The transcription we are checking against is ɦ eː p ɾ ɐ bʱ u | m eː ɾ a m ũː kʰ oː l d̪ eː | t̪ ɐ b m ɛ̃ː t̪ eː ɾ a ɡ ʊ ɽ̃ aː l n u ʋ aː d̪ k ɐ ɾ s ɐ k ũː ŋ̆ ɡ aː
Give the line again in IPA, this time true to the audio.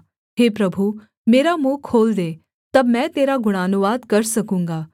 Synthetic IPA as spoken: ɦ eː p ɾ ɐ bʱ u | m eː ɾ a m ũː kʰ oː l d̪ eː | t̪ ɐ b m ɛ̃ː t̪ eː ɾ a ɡ ʊ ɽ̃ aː n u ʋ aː d̪ k ɐ ɾ s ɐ k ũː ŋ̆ ɡ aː

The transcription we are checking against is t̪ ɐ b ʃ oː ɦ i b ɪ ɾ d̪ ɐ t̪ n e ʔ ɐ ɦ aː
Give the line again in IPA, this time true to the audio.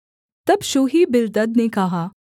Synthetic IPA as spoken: t̪ ɐ b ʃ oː ɦ i b ɪ ɾ d̪ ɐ d̪ n e k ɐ ɦ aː

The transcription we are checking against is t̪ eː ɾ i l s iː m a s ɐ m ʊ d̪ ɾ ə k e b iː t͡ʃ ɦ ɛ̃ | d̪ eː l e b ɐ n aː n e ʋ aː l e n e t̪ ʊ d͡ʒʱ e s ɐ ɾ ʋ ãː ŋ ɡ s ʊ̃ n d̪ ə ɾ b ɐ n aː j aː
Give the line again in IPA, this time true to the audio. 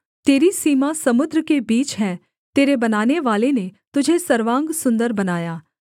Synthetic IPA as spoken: t̪ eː ɾ i s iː m a s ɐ m ʊ d̪ ɾ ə k e b iː t͡ʃ ɦ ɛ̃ | t̪ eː ɾ e b ɐ n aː n e ʋ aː l e n e t̪ ʊ d͡ʒʱ e s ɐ ɾ ʋ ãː ŋ ɡ s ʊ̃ n d̪ ə ɾ b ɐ n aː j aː

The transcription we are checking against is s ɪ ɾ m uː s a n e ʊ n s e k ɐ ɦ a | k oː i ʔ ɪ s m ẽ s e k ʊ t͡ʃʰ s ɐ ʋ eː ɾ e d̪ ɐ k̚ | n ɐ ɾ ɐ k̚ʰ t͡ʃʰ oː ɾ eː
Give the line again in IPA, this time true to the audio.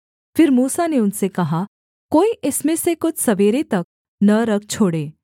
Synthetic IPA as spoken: f ɪ ɾ m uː s a n e ʊ n s e k ɐ ɦ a | k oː i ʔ ɪ s m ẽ s e k ʊ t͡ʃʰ s ɐ ʋ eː ɾ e t̪ ɐ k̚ | n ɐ ɾ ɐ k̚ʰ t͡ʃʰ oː ɽ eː

